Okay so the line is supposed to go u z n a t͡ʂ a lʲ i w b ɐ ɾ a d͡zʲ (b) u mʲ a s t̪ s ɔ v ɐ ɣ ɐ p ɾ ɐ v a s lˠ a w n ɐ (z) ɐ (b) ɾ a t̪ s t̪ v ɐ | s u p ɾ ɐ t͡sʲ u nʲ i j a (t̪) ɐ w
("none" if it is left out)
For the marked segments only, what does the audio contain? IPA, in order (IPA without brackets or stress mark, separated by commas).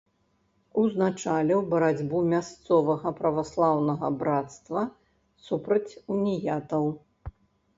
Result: b, ɣ, b, t̪